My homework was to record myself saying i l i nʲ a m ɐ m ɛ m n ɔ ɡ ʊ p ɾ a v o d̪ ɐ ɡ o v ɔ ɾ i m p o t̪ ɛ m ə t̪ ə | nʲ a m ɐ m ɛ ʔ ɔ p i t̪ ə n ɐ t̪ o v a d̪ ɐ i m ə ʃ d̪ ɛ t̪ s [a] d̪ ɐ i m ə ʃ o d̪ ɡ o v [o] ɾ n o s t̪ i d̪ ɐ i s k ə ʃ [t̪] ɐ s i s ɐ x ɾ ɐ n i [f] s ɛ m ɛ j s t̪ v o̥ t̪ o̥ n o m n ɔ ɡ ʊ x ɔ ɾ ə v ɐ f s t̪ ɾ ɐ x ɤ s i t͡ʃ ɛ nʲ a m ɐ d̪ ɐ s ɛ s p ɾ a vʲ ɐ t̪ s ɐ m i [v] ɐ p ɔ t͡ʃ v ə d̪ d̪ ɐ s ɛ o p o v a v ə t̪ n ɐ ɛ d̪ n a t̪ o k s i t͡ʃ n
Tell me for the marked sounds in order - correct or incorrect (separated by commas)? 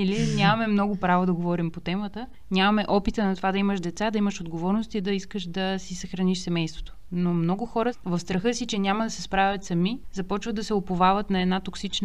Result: correct, incorrect, incorrect, incorrect, incorrect